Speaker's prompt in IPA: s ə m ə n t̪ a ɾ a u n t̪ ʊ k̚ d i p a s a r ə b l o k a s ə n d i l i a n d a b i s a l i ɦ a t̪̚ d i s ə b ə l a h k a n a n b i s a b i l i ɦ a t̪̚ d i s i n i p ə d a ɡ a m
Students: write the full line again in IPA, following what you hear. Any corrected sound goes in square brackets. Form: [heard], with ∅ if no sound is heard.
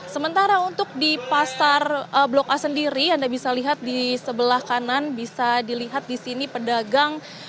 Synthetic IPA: s ə m ə n t̪ a ɾ a u n t̪ ʊ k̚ d i p a s a r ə b l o k a s ə n d i [ɾ] i a n d a b i s a l i ɦ a t̪̚ d i s ə b ə l a h k a n a n b i s a [d] i l i ɦ a t̪̚ d i s i n i p ə d a ɡ a [ŋ]